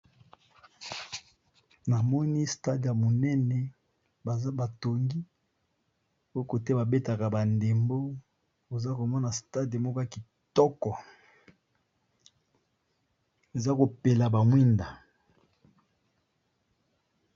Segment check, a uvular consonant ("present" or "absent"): absent